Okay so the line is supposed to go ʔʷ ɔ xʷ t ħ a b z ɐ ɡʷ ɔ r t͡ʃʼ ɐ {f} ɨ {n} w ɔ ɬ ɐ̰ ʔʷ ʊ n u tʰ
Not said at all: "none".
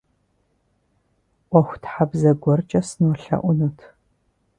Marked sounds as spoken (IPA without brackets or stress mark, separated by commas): s, n